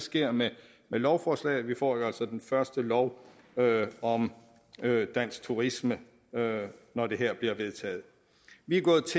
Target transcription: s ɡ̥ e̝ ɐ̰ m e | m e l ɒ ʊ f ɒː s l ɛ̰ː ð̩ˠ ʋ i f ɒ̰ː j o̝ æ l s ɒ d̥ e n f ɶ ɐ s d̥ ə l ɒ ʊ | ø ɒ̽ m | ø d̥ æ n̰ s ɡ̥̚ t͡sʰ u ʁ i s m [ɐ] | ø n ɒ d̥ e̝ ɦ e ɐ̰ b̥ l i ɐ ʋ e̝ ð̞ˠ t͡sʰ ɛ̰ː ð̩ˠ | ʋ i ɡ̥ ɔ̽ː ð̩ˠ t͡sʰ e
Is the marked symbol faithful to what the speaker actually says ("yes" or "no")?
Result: no